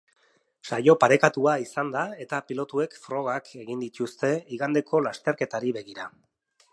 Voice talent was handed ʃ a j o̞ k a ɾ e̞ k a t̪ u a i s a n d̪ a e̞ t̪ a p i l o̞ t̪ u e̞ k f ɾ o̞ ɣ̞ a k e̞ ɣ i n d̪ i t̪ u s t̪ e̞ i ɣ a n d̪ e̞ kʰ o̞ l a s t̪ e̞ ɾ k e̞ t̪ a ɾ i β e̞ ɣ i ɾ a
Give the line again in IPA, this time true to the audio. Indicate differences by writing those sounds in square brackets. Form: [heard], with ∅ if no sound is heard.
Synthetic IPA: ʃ a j o̞ [p] a ɾ e̞ k a t̪ u a i s a n d̪ a e̞ t̪ a p i l o̞ t̪ u e̞ k f ɾ o̞ ɣ̞ a k e̞ ɣ i n d̪ i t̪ u s t̪ e̞ i ɣ a n d̪ e̞ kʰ o̞ l a s t̪ e̞ ɾ k e̞ t̪ a ɾ i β e̞ ɣ i ɾ a